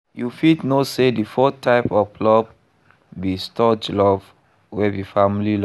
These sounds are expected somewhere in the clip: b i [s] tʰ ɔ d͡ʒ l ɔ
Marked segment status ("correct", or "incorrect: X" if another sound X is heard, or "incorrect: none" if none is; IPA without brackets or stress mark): correct